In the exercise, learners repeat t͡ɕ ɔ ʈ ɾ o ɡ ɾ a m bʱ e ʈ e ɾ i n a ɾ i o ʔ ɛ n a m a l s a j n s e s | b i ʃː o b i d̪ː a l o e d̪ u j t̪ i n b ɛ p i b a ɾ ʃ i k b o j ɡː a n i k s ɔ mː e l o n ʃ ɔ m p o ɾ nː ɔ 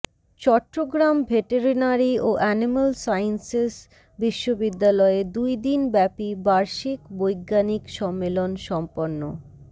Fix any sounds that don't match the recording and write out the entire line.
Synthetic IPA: t͡ɕ ɔ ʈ ɾ o ɡ ɾ a m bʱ e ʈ e ɾ i n a ɾ i o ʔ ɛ n i m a l s a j n s e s | b i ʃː o b i d̪ː a l ɔ e d̪ u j d̪ i n b ɛ p i b a ɾ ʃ i k b o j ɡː a n i k ʃ ɔ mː e l o n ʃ ɔ m p o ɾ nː o